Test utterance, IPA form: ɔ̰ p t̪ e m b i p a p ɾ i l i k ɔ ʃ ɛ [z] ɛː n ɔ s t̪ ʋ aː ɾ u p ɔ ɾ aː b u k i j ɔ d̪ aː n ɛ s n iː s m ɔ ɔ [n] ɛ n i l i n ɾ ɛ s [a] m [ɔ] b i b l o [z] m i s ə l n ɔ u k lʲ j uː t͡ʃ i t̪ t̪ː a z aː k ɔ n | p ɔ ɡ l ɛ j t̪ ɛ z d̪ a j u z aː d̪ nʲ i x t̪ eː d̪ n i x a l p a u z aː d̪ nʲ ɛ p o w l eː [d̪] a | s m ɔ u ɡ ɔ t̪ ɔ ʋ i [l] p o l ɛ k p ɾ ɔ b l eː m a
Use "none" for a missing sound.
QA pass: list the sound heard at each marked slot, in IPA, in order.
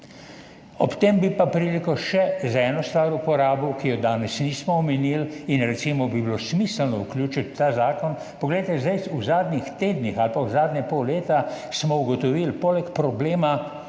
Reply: z, m, i, ɔ, s, t̪, l

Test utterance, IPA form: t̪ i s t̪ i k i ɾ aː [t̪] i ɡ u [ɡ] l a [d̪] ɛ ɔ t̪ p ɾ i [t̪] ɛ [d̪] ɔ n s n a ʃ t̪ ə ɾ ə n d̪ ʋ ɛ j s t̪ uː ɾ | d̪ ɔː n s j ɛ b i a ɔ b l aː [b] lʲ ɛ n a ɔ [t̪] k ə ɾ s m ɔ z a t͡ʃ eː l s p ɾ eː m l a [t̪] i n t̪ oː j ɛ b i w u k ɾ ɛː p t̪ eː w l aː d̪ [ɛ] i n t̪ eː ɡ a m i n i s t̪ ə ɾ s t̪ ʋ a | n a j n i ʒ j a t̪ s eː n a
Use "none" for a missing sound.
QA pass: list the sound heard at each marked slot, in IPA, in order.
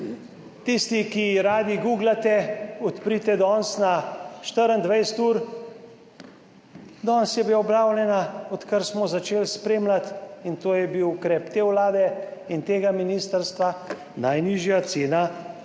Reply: d̪, ɡ, t̪, t̪, d̪, w, t̪, t̪, ɛ

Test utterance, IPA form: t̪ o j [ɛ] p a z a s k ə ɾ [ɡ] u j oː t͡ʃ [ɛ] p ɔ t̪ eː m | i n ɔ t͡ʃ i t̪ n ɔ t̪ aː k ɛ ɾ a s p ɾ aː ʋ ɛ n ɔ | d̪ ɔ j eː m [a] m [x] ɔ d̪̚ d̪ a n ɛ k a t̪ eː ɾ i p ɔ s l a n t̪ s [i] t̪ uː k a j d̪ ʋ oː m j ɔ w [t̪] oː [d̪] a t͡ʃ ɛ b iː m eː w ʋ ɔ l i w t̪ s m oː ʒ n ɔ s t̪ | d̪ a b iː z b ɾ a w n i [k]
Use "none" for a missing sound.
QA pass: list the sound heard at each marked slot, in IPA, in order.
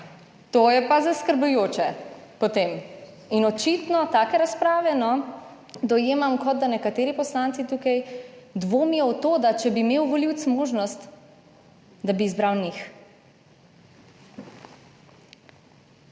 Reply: ɛ, b, ɛ, a, k, i, t̪, d̪, x

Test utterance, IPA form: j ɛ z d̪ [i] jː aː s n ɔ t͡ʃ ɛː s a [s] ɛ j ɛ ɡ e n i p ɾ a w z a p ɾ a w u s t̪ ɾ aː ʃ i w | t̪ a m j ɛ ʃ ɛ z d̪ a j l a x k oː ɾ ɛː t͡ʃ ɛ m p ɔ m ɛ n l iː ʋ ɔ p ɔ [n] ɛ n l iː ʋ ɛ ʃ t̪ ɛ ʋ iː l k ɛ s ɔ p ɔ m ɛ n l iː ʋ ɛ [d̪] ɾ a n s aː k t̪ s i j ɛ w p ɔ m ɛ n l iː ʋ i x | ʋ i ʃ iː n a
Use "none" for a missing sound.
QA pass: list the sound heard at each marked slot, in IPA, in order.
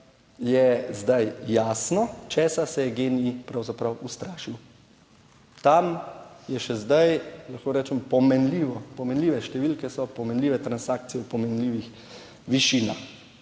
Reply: a, s, m, t̪

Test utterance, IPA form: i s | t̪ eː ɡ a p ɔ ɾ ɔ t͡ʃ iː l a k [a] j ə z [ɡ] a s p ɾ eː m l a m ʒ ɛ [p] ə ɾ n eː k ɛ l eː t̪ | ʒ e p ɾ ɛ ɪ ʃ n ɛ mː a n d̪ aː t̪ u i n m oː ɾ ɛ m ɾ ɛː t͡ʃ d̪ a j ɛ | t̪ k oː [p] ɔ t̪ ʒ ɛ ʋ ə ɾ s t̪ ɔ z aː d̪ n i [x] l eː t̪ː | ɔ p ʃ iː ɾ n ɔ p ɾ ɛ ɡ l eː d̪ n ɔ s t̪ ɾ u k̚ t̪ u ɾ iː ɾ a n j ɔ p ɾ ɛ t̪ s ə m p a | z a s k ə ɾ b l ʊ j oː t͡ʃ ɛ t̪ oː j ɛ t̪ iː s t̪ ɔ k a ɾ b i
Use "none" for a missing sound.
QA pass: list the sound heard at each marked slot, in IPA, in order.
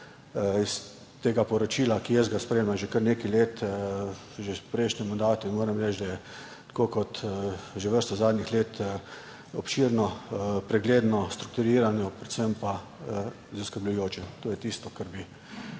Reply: i, ɡ, k, k, x

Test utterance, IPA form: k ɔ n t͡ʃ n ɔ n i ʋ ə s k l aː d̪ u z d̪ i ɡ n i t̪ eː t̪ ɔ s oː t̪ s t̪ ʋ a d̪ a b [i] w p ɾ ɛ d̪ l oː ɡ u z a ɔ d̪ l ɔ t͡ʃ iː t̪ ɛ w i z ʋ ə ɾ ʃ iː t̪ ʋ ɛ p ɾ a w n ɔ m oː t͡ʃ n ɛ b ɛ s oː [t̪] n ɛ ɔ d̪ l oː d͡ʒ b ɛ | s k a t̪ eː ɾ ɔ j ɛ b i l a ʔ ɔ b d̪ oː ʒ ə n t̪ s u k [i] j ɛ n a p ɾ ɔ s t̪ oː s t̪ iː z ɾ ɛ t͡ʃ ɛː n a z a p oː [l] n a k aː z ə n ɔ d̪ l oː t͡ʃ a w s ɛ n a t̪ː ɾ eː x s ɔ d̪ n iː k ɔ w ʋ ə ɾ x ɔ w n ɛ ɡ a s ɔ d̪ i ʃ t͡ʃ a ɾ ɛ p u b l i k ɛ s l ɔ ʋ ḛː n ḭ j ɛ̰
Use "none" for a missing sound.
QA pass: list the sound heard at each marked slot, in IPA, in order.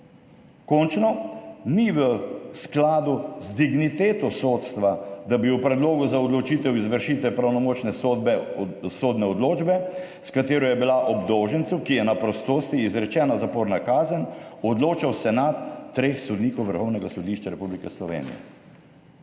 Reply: i, d̪, i, ɾ

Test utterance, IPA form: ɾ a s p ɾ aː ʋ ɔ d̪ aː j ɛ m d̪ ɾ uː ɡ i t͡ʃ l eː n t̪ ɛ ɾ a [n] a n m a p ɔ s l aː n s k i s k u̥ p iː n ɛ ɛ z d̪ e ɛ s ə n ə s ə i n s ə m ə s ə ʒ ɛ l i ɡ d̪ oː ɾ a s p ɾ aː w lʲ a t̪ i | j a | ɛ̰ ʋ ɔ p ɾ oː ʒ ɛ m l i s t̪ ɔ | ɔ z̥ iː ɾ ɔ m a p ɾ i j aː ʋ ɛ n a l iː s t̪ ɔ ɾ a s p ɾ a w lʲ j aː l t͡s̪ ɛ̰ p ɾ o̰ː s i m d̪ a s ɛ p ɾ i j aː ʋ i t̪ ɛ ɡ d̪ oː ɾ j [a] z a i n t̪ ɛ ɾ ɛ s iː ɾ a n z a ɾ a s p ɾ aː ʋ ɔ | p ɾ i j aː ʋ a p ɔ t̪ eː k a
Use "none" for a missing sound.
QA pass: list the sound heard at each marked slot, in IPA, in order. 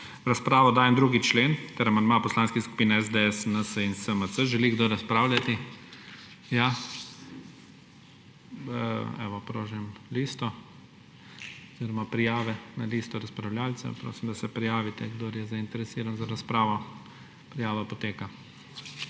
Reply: m, ɛ

